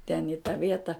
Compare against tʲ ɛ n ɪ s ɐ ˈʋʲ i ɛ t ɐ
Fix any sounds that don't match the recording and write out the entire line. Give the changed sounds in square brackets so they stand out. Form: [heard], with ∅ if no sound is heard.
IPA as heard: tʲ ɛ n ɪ [t] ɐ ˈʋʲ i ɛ t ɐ